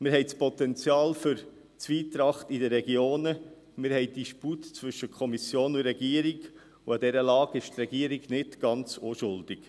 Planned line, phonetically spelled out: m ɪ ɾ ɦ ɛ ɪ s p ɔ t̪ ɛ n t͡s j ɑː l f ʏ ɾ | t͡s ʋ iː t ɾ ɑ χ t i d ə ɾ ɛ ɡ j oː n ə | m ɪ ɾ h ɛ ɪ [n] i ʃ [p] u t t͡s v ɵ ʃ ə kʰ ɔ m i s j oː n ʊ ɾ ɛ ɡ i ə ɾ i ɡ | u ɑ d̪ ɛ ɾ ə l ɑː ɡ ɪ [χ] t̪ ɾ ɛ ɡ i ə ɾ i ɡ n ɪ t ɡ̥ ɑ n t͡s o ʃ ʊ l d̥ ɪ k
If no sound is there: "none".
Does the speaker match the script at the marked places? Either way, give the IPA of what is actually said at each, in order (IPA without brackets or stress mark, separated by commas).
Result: d, p, ʃ